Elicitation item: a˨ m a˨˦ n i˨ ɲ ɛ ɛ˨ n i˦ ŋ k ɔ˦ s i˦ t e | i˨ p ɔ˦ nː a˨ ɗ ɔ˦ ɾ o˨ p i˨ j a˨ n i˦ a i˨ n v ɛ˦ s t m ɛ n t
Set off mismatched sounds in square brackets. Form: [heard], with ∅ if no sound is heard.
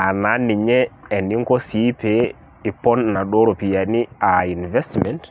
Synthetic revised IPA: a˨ [n] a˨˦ n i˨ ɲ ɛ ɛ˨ n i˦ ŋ k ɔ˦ s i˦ [p] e | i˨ p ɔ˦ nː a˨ ɗ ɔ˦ ɾ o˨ p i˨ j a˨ n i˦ a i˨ n v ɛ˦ s t m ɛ n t

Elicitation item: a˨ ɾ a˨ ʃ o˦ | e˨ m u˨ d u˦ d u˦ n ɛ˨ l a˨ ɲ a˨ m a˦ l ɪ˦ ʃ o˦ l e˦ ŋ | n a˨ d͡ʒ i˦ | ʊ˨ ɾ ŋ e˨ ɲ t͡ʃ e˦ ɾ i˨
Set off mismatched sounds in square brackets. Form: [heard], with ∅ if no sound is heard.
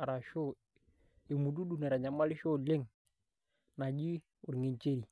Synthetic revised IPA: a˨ ɾ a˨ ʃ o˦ | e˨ m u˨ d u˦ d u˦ n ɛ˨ [ɾ] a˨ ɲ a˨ m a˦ l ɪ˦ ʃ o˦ l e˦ ŋ | n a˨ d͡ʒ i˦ | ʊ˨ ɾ ŋ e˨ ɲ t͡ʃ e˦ ɾ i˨

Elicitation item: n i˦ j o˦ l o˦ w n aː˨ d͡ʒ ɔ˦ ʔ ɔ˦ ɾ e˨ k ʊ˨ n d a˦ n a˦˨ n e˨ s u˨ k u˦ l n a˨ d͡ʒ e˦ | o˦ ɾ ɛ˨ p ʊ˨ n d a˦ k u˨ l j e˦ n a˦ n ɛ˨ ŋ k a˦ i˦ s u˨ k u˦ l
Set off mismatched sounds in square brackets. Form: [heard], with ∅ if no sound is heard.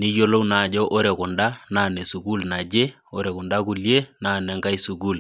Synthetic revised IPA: n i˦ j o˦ l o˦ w n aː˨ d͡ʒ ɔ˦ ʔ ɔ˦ ɾ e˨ k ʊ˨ n d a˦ n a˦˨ n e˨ s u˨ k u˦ l n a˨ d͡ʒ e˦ | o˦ ɾ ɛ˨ [k] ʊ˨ n d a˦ k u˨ l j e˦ n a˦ n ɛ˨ ŋ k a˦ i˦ s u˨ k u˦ l

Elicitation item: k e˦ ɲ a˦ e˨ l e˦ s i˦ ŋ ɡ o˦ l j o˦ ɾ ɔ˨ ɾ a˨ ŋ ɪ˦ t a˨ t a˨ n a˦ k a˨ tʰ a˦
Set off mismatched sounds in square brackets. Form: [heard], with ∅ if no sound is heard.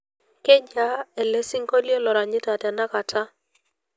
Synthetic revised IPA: k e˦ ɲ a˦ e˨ l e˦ s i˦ ŋ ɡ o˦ l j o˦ [l] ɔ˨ ɾ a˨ [ɲ] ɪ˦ t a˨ t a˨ n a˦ k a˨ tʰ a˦

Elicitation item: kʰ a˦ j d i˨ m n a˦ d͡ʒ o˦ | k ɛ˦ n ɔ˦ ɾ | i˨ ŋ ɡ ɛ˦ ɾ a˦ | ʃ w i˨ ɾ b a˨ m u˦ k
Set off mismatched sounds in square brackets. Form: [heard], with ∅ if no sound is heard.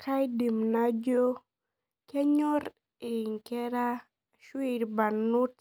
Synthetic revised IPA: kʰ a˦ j d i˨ m n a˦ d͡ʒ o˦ | k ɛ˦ [ɲ] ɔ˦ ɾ | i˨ ŋ [k] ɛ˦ ɾ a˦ | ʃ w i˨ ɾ b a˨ [n] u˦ [t]

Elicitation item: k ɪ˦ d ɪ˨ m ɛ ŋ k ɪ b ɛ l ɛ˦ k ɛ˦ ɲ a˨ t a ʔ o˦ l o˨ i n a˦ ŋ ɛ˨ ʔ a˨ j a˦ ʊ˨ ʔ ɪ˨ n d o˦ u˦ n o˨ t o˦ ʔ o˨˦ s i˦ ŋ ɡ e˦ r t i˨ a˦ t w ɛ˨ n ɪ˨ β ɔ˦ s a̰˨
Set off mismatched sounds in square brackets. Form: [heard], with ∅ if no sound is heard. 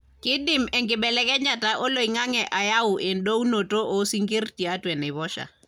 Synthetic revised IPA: k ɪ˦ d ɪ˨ m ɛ ŋ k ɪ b ɛ l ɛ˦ k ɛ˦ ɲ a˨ t a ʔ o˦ l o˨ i [ŋ] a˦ ŋ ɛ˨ ʔ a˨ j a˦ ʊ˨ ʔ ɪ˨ n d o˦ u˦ n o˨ t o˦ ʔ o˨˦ s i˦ ŋ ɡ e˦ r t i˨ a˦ t w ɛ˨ n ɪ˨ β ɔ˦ [ʃ] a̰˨

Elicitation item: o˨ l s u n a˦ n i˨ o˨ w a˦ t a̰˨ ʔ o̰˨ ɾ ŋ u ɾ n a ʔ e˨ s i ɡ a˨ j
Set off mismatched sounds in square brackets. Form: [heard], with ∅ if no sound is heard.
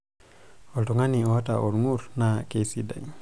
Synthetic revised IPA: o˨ l [t] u [ŋ] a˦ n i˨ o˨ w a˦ t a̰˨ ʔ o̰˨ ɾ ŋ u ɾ n a [k] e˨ s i [d] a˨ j

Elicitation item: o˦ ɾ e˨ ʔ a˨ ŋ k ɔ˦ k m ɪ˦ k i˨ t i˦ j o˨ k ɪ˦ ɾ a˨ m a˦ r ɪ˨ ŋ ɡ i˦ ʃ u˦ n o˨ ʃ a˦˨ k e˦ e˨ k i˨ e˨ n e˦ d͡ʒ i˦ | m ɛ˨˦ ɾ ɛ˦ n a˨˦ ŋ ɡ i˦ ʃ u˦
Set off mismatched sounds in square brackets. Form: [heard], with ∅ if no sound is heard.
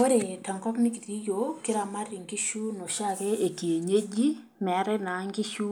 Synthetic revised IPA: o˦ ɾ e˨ [t] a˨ ŋ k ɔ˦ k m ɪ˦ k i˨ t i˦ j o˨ k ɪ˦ ɾ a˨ m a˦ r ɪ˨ ŋ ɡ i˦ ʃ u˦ n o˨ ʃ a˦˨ k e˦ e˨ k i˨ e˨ [ɲ] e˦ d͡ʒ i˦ | m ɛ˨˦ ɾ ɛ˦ n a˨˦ ŋ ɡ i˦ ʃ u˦

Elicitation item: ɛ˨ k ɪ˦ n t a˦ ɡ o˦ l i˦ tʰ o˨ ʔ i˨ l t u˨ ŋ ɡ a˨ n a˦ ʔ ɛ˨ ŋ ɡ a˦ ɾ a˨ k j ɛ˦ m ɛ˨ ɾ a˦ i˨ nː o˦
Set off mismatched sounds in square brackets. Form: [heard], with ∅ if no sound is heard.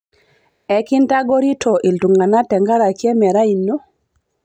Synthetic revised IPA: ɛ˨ k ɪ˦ n t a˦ ɡ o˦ [ɾ] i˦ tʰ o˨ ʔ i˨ l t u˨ ŋ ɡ a˨ n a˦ [t] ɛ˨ ŋ ɡ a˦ ɾ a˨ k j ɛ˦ m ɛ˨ ɾ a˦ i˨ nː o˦

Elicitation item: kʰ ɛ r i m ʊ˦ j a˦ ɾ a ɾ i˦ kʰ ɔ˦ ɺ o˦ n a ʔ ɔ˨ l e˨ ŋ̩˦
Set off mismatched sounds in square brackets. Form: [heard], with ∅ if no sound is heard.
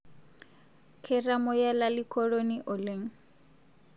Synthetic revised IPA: kʰ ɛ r [a] m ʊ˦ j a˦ [l] a [l] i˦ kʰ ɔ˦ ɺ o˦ n [i] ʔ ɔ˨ l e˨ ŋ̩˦

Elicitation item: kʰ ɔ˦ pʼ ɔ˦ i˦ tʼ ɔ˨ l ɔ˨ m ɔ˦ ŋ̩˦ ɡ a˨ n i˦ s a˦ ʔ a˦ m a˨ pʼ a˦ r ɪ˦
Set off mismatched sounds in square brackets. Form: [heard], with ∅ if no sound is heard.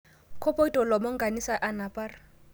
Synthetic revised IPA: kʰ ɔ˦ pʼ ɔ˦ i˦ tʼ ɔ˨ l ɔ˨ m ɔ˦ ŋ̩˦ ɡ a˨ n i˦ s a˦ ʔ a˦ [n] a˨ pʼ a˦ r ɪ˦

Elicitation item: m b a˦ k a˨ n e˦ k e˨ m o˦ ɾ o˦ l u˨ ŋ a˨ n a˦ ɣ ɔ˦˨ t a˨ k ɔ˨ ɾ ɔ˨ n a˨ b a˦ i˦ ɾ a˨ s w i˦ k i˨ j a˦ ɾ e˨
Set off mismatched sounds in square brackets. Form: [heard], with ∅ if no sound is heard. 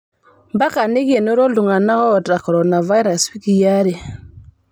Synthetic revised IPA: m b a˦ k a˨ n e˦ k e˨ [n] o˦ ɾ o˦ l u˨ ŋ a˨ n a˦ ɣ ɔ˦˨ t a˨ k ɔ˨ ɾ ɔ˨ n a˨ [v] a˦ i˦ ɾ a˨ s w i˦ k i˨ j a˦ ɾ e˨

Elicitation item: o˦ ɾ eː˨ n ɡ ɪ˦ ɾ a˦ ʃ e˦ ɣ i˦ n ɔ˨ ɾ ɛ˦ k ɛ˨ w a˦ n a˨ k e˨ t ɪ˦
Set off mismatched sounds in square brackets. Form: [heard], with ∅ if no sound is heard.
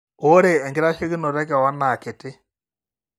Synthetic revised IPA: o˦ ɾ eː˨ [ŋ] ɡ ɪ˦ ɾ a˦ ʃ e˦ ɣ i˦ n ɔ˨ ɾ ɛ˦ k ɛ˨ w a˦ n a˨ k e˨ t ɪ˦

